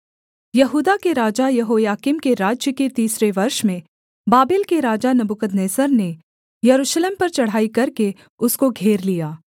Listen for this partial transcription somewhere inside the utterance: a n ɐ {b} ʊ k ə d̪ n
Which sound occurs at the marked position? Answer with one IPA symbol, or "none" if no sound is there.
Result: b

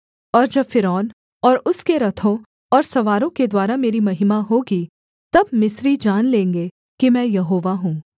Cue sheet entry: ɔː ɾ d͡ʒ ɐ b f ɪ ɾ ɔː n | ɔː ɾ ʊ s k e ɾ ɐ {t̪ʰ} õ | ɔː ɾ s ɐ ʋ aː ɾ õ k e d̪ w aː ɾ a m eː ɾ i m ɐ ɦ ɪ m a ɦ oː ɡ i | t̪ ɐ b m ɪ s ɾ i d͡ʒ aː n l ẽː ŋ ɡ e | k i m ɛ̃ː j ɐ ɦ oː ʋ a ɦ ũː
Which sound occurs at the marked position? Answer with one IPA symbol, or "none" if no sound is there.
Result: t̪ʰ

